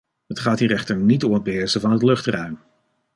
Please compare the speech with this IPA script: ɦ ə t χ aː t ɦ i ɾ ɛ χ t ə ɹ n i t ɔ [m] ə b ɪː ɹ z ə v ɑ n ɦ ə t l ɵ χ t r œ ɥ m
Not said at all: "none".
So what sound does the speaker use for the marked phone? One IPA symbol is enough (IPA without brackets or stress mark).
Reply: m